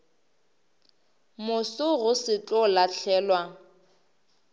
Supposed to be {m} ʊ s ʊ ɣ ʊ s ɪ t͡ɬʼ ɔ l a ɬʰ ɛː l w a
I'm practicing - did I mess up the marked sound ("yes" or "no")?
no